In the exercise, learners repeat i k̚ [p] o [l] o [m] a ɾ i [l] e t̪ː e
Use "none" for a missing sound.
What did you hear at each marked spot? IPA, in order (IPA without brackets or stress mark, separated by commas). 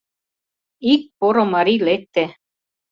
p, ɾ, m, l